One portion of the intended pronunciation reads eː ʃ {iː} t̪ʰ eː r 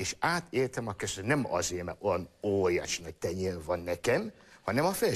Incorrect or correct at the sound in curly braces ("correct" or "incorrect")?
incorrect